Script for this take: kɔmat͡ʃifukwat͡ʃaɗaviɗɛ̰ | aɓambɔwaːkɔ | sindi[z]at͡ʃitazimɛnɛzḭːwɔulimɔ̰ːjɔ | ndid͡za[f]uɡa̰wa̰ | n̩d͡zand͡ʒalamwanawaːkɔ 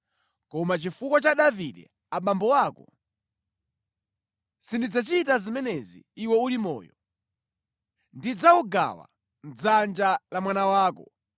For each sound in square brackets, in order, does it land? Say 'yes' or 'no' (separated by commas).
no, no